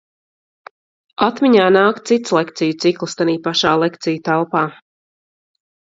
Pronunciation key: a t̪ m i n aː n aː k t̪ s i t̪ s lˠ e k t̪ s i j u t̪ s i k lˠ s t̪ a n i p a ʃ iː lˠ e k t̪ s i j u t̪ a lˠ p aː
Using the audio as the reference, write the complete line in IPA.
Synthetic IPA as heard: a t̪ m i ɲ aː n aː k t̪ s i t̪ s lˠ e k t̪ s i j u t̪ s i k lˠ s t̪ a n iː p a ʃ aː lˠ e k t̪ s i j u t̪ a lˠ p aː